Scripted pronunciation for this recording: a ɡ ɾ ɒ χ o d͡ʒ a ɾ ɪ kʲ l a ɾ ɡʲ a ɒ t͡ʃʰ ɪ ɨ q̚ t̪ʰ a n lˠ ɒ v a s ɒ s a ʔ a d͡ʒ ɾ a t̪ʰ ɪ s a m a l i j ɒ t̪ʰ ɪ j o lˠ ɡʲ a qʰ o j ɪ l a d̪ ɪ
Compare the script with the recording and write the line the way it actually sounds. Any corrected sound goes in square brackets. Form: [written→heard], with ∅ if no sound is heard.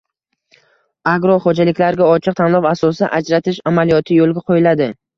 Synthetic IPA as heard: a ɡ ɾ ɒ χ o d͡ʒ a [ɾ→l] ɪ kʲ l a ɾ ɡʲ a ɒ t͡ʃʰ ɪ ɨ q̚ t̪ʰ a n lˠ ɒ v a s ɒ s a ʔ a d͡ʒ ɾ a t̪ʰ ɪ [s→ʃ] a m a l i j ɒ t̪ʰ ɪ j o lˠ ɡʲ a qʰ o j ɪ l a d̪ ɪ